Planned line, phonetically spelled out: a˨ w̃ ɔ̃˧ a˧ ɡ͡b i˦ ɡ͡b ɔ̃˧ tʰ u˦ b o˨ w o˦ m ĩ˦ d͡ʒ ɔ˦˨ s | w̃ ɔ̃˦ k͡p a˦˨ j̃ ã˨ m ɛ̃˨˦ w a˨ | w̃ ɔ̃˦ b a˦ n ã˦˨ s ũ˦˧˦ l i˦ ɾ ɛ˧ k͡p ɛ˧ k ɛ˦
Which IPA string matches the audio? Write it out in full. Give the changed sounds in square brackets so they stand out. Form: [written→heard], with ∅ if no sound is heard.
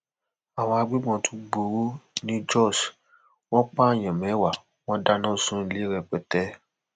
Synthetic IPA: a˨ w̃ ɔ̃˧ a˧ ɡ͡b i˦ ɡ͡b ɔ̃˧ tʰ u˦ [b→ɡ͡b] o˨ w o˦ [m→n] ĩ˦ d͡ʒ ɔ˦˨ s | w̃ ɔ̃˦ k͡p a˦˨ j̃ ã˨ m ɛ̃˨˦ w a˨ | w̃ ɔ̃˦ [b→d] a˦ n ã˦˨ s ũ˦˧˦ l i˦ ɾ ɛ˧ k͡p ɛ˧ [k→t] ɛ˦